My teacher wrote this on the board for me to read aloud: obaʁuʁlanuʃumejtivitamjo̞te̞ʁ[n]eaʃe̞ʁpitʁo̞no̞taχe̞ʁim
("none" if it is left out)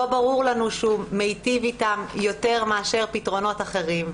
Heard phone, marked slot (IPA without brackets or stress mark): m